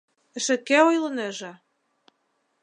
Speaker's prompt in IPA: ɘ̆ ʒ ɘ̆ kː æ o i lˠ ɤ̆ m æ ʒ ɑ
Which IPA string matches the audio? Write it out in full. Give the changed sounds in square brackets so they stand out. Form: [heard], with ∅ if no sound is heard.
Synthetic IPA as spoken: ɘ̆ [ʃ] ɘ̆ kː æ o [j] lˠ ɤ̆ [n] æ ʒ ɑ